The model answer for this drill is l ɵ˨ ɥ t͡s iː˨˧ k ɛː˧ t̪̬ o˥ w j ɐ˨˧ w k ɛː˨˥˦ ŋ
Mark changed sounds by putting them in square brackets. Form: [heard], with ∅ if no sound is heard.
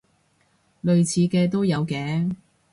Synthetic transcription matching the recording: l ɵ˨ ɥ [t͡sʰ] iː˨˧ k ɛː˧ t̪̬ o˥ w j ɐ˨˧ w k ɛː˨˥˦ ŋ